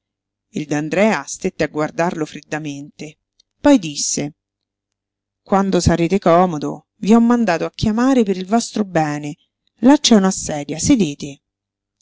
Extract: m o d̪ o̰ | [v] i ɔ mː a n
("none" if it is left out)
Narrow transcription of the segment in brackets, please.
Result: v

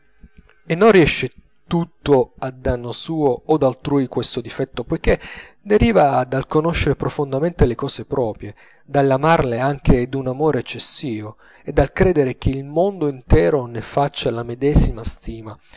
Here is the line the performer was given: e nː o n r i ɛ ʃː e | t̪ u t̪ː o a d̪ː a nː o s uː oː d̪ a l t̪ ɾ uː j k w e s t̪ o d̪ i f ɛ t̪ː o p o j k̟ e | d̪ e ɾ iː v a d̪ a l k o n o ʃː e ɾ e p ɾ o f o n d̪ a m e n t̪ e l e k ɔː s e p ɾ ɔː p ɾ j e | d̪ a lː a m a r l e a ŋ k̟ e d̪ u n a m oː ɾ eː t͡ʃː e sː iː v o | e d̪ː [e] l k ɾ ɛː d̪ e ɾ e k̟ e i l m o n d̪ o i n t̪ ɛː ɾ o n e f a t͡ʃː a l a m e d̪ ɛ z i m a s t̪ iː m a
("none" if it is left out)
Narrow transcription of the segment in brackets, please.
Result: a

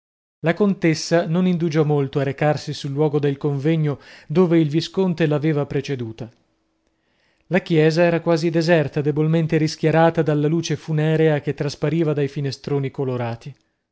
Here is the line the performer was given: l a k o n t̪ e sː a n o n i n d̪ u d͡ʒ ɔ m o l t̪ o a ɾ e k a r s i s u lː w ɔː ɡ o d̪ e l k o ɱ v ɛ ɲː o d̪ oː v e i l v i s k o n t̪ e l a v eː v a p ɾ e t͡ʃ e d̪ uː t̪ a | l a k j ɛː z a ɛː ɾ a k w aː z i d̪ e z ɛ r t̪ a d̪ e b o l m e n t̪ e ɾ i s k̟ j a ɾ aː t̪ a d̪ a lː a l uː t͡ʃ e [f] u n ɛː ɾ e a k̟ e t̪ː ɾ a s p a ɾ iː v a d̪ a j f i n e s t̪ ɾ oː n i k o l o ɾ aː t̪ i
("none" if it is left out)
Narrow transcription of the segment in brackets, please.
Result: f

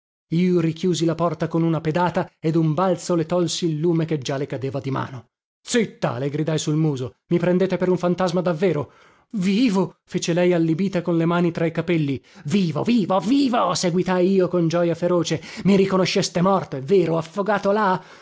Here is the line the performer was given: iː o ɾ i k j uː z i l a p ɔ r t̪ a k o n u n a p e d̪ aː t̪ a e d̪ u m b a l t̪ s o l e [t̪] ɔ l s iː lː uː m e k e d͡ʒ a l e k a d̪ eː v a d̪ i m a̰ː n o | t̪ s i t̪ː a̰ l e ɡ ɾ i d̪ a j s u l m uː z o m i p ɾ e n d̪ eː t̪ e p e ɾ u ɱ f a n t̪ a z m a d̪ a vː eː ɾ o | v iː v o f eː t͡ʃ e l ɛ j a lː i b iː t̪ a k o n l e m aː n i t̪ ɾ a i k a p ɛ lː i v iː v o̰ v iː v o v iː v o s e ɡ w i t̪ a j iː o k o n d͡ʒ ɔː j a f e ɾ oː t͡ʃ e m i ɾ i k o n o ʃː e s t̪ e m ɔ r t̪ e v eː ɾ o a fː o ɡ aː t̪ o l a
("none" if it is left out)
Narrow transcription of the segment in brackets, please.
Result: t̪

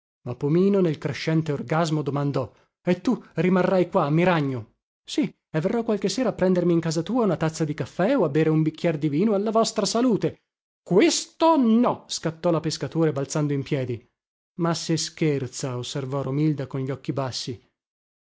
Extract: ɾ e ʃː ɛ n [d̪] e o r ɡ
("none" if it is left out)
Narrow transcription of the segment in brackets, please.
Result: t̪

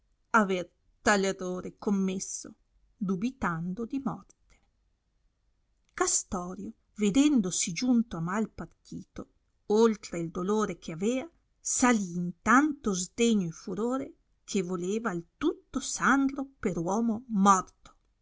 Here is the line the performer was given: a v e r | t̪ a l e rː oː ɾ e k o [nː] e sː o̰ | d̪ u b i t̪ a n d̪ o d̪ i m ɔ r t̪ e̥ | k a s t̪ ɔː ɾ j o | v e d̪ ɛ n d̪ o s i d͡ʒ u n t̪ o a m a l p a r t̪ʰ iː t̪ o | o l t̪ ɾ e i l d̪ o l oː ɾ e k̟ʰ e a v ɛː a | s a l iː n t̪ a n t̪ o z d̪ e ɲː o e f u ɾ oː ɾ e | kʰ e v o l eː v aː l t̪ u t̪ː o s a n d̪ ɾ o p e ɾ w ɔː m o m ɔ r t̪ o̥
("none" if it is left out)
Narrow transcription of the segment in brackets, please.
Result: mː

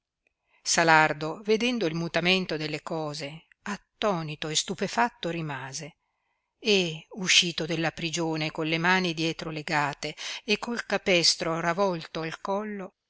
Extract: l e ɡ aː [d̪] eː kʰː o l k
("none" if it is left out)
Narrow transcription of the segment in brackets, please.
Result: t̪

